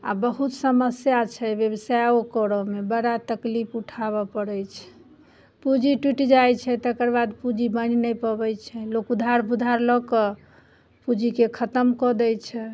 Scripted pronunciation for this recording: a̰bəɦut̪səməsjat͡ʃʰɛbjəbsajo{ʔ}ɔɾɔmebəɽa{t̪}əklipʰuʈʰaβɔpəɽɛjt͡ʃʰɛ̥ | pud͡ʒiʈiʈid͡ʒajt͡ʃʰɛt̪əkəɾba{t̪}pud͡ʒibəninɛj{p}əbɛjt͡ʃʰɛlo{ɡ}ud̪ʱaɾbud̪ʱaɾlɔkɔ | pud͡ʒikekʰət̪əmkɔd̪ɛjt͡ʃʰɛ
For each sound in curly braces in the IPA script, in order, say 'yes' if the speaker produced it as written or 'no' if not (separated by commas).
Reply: no, yes, no, yes, no